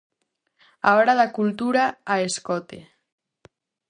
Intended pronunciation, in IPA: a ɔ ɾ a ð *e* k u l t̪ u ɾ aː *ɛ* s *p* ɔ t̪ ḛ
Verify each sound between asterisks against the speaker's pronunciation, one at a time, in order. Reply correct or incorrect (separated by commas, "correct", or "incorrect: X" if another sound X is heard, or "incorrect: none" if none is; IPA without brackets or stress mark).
incorrect: a, incorrect: e, incorrect: k